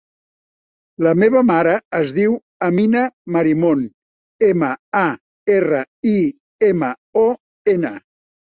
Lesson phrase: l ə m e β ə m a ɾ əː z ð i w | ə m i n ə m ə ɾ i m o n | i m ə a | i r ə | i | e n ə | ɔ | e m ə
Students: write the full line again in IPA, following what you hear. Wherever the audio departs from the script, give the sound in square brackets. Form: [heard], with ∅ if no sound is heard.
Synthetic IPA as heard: l ə m e β ə m a ɾ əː z ð i w | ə m i n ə m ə ɾ i m o n | [e] m ə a | [e] r ə | i | e [m] ə | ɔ | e [n] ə